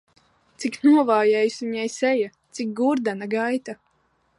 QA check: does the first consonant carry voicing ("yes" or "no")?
no